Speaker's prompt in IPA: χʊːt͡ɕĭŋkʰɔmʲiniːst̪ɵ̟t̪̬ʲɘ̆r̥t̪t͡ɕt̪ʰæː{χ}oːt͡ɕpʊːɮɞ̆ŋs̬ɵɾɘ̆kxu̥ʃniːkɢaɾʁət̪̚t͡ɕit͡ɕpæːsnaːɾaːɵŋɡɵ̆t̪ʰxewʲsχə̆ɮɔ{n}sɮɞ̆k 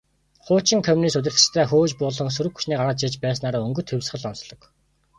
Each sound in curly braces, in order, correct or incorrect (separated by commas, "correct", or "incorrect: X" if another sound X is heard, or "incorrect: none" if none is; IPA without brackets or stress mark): incorrect: x, correct